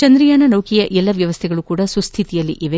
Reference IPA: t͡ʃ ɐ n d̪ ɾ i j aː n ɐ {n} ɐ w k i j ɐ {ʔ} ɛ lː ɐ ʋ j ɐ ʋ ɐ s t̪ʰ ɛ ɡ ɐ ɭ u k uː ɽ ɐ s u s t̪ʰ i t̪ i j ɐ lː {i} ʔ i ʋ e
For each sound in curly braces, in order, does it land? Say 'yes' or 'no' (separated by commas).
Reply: yes, yes, yes